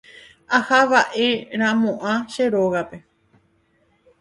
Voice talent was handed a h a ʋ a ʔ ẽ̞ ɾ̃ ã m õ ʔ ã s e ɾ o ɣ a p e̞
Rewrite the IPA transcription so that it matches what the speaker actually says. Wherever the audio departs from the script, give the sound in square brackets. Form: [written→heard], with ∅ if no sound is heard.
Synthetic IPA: a h a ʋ a ʔ [ẽ̞→e̞] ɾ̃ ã m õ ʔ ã [s→ʃ] e ɾ o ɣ a p e̞

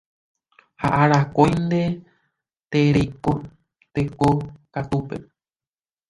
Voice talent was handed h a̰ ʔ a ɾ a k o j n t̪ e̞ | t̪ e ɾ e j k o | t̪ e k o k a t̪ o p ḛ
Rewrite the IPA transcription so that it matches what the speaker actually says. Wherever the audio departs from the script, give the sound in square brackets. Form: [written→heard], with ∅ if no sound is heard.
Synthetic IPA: h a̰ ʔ a ɾ a k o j n [t̪→d̪] e̞ | t̪ e ɾ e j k o | t̪ e k o k a t̪ [o→u] p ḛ

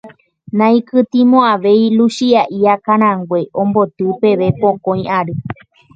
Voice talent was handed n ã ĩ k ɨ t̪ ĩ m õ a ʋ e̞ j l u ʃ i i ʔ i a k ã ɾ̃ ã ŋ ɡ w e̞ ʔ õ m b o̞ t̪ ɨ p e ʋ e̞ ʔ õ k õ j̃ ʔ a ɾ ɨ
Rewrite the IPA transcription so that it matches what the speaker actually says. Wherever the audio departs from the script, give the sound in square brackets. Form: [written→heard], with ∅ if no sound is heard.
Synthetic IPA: n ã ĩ k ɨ t̪ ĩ m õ a ʋ e̞ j l u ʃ i [i→a] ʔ i a k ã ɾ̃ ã ŋ ɡ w e̞ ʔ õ m b o̞ t̪ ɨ p e ʋ e̞ [ʔ→p] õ k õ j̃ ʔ a ɾ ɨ

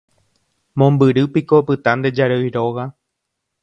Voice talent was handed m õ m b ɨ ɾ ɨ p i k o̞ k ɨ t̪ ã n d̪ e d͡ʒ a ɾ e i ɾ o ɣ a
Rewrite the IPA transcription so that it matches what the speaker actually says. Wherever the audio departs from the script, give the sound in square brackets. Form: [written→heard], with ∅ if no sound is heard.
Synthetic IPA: m õ m b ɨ ɾ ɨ p i k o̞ [k→p] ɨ t̪ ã n d̪ e d͡ʒ a ɾ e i ɾ o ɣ a

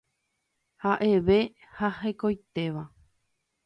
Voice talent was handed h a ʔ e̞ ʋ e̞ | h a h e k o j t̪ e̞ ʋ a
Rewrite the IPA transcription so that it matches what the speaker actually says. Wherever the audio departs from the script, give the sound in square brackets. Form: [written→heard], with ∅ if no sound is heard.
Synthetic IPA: h a ʔ e̞ ʋ e̞ | h a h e k o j t̪ e̞ ʋ a

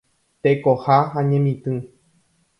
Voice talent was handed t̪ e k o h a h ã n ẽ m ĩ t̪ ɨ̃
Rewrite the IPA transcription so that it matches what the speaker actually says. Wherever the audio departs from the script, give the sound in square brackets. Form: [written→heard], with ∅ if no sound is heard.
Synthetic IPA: t̪ e k o h a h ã [n→ɲ] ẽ m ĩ t̪ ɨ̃

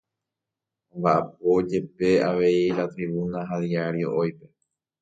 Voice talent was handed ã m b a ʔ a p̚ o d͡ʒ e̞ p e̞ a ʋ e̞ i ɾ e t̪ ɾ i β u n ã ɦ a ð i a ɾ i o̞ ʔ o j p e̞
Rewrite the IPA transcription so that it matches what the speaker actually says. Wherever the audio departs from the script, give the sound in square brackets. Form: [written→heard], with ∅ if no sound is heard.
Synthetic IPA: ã m b a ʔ a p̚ o d͡ʒ e̞ p e̞ a ʋ e̞ i ɾ [e→a] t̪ ɾ i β u n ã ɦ a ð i a ɾ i o̞ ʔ o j p e̞

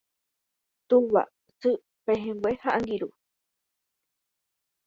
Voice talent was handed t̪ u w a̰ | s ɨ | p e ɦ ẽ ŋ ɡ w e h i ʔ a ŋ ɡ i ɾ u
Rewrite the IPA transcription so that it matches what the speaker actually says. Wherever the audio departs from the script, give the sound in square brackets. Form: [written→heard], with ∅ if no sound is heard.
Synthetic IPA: t̪ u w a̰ | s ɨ | p e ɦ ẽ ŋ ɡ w e h [i→a] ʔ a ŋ ɡ i ɾ u

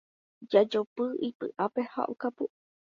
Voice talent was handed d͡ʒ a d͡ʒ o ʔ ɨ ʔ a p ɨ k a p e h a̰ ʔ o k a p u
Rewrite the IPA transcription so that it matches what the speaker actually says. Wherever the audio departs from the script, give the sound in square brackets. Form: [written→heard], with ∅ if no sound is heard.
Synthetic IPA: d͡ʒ a d͡ʒ o [ʔ→p] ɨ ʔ [a→i] p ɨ [k→ʔ] a p e h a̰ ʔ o k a p u

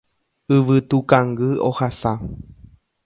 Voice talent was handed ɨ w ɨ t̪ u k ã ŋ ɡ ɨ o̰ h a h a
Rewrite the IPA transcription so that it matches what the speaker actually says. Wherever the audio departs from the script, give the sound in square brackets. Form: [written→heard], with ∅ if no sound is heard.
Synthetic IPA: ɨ [w→ʋ] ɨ t̪ u k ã ŋ ɡ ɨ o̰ h a [h→s] a

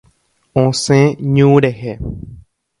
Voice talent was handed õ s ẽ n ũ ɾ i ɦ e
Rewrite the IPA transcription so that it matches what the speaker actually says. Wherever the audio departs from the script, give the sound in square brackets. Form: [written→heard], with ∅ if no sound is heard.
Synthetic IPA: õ s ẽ [n→ɲ] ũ ɾ [i→e] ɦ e

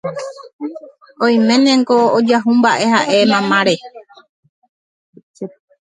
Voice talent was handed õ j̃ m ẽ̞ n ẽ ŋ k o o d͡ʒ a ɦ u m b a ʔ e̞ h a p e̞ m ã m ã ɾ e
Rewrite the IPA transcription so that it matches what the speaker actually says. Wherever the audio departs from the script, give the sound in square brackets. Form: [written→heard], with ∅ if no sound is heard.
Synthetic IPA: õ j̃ m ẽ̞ n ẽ ŋ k o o d͡ʒ a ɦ u m b a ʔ e̞ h a [p→ʔ] e̞ m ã m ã ɾ e

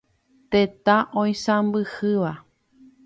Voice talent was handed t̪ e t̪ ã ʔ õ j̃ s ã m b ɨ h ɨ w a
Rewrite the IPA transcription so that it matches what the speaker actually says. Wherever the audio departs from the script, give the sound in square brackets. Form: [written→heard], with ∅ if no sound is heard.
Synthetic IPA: t̪ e t̪ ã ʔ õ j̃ s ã m b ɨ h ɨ [w→ʋ] a

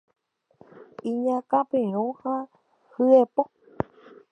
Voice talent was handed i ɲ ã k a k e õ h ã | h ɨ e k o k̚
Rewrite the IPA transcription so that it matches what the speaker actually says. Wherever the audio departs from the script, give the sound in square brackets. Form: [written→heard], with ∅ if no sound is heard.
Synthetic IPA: i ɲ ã k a [k→p] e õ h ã | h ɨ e [k→p] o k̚

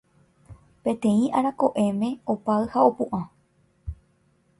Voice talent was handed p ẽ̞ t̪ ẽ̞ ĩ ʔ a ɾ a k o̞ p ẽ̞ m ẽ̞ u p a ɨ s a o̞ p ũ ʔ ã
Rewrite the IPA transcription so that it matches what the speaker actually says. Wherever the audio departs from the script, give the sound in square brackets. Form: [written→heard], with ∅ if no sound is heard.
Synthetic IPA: p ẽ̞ t̪ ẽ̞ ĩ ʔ a ɾ a k o̞ [p→ʔ] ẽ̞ m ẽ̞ [u→o] p a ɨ [s→h] a o̞ p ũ ʔ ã

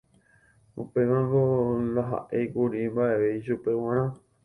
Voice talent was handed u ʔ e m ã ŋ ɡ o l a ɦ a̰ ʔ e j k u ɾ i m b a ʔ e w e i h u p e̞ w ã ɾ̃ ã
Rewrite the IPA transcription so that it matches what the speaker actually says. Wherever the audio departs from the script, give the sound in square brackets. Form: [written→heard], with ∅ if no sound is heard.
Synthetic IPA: u [ʔ→p] e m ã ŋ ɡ o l a ɦ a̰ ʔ e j k u ɾ i m b a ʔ e [w→ʋ] e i [h→ʃ] u p e̞ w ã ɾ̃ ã

